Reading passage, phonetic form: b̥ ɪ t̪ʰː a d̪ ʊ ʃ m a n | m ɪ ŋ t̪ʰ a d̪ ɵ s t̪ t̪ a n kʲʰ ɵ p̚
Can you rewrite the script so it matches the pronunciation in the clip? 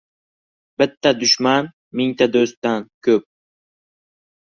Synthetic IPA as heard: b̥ ɪ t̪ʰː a d̪ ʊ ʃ m a n | m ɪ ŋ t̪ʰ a d̪ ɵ s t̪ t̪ a n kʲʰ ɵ p̚